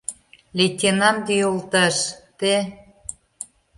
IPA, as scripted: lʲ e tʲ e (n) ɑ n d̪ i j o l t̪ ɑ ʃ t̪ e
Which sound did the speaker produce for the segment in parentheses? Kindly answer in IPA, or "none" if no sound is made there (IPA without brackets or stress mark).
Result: n